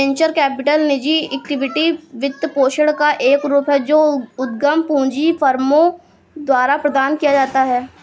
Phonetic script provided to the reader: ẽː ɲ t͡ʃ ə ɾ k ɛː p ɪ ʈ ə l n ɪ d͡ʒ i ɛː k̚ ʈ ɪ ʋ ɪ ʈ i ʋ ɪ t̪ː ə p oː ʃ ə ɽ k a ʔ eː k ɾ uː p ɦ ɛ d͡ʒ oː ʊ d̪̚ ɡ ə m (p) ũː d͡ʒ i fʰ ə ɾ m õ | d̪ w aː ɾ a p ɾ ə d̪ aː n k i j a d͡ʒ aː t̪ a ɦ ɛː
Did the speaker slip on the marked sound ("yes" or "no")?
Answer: no